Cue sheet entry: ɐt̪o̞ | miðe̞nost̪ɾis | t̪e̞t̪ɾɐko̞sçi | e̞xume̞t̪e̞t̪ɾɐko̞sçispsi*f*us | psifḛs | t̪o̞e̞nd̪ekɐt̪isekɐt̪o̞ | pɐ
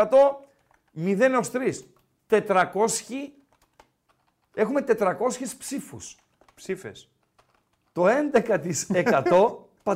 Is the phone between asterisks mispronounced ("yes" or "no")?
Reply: no